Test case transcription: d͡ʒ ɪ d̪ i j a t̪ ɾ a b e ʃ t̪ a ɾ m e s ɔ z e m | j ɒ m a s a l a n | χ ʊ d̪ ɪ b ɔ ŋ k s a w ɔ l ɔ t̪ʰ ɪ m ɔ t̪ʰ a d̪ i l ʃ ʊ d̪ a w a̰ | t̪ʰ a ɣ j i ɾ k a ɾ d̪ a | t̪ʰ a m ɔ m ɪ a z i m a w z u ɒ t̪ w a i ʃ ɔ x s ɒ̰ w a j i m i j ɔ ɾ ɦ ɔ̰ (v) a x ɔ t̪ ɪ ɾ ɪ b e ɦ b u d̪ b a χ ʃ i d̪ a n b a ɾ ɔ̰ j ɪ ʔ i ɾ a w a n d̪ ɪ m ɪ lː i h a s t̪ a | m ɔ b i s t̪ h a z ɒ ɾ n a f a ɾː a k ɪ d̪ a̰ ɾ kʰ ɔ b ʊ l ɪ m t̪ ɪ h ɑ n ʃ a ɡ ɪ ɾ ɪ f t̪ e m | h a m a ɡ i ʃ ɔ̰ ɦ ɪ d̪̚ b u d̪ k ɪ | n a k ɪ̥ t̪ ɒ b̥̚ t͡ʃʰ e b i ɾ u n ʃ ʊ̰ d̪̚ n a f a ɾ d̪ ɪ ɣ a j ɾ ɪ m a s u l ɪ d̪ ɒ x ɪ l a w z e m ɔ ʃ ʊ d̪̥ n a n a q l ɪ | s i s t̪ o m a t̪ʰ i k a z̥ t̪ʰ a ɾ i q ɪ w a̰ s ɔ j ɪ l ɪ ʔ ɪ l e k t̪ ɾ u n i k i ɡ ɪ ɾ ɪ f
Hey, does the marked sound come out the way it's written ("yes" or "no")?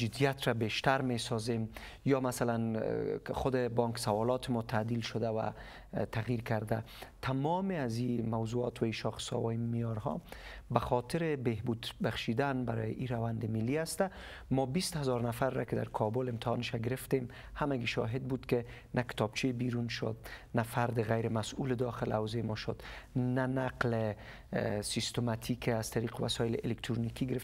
no